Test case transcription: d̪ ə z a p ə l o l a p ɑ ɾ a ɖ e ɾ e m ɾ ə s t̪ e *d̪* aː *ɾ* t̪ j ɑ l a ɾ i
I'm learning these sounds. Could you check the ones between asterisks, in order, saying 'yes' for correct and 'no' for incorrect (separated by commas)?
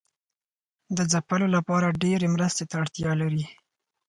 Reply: no, no